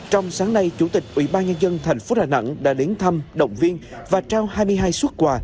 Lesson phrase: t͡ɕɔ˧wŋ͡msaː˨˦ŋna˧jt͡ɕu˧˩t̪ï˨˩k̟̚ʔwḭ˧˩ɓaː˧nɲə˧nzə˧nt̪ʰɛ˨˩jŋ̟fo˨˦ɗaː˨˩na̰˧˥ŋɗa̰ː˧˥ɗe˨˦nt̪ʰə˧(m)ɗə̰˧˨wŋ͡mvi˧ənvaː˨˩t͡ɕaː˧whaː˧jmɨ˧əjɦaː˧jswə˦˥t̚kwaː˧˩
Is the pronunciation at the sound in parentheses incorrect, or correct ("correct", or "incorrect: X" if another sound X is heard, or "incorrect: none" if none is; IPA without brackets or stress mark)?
correct